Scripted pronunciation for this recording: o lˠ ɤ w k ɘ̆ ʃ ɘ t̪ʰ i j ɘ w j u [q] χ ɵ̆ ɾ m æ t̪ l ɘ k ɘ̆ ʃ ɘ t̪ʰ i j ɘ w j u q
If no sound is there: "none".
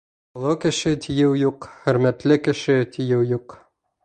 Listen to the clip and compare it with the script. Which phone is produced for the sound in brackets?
q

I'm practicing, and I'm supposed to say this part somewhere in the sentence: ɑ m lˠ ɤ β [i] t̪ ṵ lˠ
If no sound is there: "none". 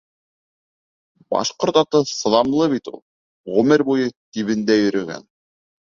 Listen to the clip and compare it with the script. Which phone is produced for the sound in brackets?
i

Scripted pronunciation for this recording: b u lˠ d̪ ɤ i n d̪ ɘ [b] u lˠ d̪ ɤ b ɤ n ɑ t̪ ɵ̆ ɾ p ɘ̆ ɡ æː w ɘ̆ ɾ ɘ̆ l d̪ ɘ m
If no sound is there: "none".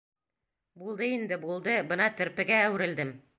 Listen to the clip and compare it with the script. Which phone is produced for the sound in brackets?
b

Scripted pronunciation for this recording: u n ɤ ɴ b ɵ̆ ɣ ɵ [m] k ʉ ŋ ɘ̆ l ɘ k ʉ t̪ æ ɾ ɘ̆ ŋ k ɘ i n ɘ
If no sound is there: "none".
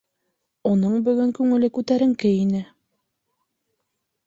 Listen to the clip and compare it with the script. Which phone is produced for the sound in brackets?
ŋ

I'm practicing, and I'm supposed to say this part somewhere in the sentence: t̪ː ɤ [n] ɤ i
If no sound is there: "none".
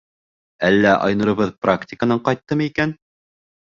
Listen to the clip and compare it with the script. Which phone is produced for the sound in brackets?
m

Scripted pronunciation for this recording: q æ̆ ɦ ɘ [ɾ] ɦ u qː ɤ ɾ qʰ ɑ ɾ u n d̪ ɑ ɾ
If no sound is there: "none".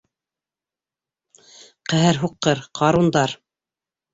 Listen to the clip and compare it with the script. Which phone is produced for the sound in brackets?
ɾ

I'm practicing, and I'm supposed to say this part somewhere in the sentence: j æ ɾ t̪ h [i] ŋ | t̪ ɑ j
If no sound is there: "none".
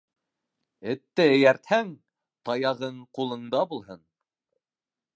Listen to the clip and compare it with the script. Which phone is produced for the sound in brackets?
æ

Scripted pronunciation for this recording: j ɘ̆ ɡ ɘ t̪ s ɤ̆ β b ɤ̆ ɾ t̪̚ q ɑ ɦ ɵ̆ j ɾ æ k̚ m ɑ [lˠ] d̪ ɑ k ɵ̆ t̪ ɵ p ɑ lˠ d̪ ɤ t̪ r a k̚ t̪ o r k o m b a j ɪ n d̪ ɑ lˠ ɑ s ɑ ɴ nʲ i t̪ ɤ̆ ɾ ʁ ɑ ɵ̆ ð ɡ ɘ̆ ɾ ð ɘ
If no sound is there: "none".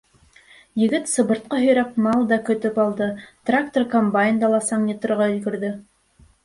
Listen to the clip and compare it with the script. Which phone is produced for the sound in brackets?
lˠ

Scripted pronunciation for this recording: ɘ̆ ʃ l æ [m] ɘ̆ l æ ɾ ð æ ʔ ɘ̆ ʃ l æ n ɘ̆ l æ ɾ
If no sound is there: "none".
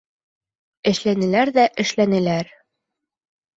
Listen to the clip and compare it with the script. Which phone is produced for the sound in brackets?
n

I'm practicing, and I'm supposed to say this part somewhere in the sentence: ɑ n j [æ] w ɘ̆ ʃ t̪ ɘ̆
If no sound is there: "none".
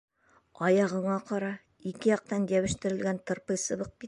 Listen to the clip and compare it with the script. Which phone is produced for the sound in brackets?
æ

